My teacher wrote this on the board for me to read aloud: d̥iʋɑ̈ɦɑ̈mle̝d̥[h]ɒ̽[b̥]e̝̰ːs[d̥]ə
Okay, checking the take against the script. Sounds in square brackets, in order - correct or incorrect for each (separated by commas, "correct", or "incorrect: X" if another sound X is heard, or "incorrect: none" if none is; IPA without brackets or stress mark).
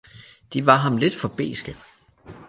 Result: incorrect: f, correct, incorrect: ɡ̥